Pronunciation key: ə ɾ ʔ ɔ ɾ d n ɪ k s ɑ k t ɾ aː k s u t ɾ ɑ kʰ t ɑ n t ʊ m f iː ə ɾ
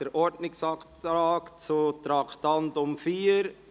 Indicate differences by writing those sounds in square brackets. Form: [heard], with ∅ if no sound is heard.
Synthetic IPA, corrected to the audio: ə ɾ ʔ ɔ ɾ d n ɪ k s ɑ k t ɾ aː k [t͡s] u t ɾ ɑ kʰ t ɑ n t ʊ m f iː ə ɾ

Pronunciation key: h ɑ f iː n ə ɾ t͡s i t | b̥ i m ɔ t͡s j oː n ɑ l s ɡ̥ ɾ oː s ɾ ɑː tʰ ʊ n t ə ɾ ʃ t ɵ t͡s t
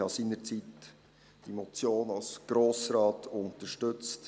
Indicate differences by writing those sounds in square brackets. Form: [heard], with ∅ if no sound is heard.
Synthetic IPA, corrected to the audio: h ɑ [s] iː n ə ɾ t͡s i t | [d̥] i m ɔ t͡s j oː n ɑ l s ɡ̥ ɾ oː s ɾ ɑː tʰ ʊ n t ə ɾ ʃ t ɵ t͡s t

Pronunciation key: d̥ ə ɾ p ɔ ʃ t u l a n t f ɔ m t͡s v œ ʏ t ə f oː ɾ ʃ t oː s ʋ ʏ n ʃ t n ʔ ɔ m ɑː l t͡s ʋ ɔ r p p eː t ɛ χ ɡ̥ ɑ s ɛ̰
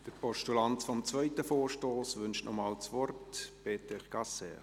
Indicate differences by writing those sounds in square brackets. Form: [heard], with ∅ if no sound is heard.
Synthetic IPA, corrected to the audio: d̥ ə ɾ p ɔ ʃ t u l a n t f ɔ m t͡s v œ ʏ t ə f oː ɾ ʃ t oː s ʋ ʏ n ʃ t n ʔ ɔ m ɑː l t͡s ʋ ɔ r [t] p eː t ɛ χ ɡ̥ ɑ s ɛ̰

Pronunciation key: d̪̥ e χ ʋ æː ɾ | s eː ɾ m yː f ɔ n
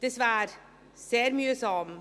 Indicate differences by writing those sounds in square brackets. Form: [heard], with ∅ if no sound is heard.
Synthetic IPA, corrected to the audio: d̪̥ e [s] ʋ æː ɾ | s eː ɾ m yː [s] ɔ [m]

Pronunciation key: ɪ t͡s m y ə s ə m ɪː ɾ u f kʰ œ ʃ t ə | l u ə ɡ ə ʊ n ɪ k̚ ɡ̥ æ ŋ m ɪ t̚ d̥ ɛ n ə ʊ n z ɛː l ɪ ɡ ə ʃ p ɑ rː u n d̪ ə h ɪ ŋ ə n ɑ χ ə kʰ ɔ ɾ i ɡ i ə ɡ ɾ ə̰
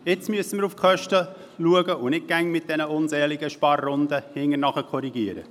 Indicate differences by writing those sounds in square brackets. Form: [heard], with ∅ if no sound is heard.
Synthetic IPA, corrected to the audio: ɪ t͡s m y ə s ə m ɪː ɾ u f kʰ œ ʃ t ə | l u ə ɡ ə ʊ n ɪ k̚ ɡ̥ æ ŋ m ɪ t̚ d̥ ɛ n ə ʊ n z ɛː l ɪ ɡ ə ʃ p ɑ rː [ʊ] n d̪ ə h ɪ ŋ ə n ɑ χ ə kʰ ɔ ɾ i ɡ i ə [∅] ɾ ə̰

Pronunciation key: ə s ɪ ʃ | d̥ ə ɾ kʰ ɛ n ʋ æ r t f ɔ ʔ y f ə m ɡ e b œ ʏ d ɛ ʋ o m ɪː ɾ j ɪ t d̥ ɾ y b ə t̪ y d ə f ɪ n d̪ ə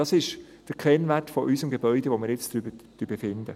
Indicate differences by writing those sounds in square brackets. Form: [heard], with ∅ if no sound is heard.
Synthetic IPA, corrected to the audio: [ɑ] s ɪ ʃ | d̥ ə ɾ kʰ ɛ n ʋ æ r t f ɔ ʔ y [s] ə m ɡ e b œ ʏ d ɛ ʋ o m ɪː ɾ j ɪ [t͡s] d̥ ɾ y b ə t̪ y [b] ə f ɪ n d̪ ə

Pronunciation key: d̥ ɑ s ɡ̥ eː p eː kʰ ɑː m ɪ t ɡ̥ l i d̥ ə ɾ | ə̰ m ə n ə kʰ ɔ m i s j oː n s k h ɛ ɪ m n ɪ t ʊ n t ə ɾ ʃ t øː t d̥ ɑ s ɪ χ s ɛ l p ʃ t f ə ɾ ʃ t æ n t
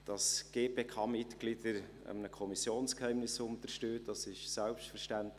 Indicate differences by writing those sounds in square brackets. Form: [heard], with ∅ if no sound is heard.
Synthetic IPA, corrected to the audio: d̥ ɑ s ɡ̥ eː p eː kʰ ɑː m ɪ t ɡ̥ l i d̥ ə ɾ | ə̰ m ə n ə kʰ ɔ m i s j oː n s k h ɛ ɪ m n ɪ [s] ʊ n t ə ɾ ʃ t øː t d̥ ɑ s ɪ [ʃ] s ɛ l p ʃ t f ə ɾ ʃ t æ n t

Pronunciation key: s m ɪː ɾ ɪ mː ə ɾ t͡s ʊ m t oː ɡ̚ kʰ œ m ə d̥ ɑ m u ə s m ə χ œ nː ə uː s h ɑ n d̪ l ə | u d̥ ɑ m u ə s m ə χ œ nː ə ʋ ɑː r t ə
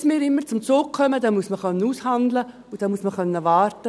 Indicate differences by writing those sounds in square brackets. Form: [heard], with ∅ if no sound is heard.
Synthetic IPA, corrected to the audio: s m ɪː ɾ ɪ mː ə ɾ t͡s ʊ m [t͡s] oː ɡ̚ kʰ œ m ə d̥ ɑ m u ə s m ə χ œ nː ə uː s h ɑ n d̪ l ə | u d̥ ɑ m u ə s m ə χ œ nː ə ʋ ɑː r t ə

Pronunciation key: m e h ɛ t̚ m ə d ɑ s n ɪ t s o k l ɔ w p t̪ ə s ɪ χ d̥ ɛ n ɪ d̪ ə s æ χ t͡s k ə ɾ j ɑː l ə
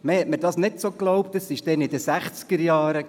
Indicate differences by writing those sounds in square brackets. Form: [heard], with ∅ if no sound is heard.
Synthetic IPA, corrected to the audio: m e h ɛ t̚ m ə d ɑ s n ɪ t s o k l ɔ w p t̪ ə s ɪ [ʃ] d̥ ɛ n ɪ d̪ ə s æ χ t͡s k ə ɾ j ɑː [ɾ] ə

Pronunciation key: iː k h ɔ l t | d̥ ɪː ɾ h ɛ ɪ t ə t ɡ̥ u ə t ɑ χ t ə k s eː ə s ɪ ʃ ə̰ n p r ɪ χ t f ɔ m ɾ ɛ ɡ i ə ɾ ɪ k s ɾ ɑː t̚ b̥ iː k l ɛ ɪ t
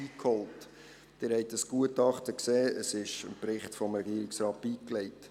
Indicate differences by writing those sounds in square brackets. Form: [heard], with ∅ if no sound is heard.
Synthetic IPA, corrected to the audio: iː k h ɔ l t | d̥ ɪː ɾ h ɛ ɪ t ə [s] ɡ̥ u ə t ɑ χ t ə k s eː ə s ɪ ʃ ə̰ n p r ɪ χ t f ɔ m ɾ ɛ ɡ i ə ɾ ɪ k s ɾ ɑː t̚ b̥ iː k l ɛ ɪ t

